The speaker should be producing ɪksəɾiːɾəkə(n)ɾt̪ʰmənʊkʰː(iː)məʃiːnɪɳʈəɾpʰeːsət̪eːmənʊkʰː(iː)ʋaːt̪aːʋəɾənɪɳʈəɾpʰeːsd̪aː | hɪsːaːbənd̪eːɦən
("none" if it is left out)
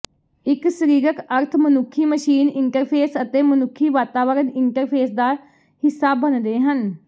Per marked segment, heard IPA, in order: none, iː, iː

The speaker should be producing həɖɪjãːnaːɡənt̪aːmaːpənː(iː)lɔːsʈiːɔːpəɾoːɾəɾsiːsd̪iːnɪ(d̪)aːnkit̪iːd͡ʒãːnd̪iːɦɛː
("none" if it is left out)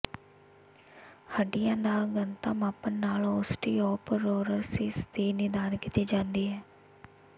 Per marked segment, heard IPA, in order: aː, d̪

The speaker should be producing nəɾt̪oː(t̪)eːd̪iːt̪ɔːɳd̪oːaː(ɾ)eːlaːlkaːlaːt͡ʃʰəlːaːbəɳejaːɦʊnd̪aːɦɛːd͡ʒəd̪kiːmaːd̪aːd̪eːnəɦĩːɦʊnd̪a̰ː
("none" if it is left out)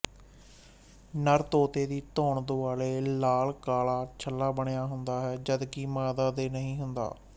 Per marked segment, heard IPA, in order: t̪, l

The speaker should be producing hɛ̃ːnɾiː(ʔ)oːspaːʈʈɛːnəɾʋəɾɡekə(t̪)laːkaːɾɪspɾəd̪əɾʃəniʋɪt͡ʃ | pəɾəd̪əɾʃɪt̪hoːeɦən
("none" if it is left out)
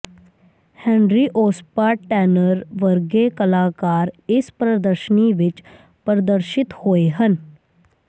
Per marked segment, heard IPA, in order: ʔ, none

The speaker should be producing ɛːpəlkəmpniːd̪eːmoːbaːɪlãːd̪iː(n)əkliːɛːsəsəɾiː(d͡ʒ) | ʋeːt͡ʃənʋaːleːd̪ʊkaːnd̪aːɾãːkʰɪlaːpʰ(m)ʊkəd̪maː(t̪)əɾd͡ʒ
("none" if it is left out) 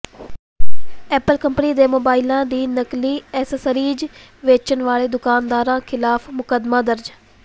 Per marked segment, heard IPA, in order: n, d͡ʒ, m, d̪

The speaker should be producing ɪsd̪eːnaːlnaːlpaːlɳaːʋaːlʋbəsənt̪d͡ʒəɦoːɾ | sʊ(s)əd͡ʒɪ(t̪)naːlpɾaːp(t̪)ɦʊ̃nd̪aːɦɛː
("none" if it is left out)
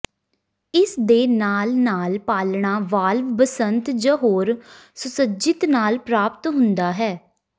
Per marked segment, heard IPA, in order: s, t̪, t̪

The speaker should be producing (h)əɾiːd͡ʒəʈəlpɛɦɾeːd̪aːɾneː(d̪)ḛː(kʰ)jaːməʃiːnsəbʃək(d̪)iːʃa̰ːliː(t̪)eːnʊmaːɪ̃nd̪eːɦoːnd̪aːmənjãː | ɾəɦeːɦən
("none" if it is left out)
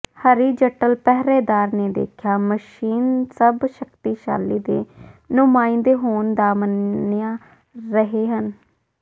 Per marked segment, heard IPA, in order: h, d̪, kʰ, t̪, d̪

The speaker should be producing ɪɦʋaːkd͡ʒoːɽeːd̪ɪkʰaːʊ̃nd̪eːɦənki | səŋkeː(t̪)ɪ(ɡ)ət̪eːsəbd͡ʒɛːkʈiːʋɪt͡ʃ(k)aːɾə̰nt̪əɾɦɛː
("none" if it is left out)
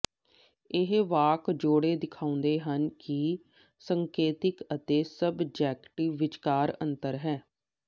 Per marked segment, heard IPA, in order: t̪, k, k

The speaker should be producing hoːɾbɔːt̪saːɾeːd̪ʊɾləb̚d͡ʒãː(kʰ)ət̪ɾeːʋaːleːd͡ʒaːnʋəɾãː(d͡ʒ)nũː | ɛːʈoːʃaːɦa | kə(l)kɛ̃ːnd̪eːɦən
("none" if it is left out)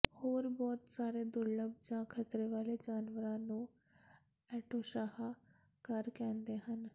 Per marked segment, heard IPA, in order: kʰ, none, ɾ

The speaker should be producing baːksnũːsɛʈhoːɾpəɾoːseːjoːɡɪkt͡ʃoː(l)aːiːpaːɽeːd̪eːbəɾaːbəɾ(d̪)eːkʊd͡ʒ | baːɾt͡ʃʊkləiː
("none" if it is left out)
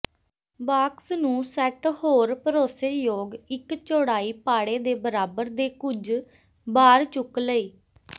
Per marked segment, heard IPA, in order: ɽ, d̪

